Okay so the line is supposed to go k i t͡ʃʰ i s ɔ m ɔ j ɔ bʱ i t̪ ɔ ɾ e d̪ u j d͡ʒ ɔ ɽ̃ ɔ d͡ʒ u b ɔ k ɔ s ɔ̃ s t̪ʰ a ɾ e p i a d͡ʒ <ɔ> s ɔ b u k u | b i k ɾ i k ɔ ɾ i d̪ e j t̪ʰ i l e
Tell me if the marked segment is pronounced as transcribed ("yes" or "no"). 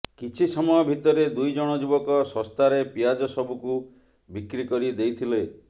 yes